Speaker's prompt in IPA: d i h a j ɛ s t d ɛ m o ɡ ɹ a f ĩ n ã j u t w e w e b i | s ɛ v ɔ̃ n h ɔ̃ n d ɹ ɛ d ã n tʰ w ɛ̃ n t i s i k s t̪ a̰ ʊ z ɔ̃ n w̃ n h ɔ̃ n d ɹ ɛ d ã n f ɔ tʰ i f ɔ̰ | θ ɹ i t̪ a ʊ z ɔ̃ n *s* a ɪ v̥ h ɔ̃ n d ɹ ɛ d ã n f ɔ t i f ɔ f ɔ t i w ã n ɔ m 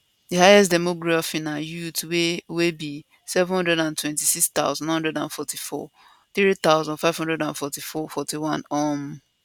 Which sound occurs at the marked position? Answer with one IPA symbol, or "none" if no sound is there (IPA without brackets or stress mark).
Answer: f